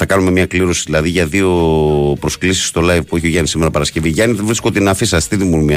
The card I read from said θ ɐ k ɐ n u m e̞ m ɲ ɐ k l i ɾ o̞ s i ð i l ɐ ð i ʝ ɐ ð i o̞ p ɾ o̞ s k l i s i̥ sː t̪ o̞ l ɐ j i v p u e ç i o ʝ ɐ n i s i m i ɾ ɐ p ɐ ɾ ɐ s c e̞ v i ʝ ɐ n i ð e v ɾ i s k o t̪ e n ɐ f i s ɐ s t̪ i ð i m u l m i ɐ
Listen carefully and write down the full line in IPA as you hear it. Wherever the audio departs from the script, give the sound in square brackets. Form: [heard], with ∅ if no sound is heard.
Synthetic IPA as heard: θ ɐ k ɐ n u m e̞ m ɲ ɐ k l i ɾ o̞ s i ð i l ɐ ð i ʝ ɐ ð i o̞ p ɾ o̞ s k l i s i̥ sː t̪ o̞ l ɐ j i v p u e ç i o ʝ ɐ n i s i m [e] ɾ ɐ p ɐ ɾ ɐ s c e̞ v i ʝ ɐ n i ð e v ɾ i s k o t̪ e n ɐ f i s ɐ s t̪ i ð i m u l m i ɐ